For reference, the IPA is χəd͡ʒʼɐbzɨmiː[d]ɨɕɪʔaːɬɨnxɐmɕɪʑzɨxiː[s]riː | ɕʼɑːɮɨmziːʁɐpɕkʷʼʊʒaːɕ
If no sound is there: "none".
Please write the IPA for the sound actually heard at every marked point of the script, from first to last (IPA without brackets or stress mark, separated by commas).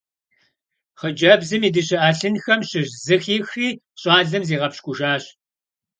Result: d, x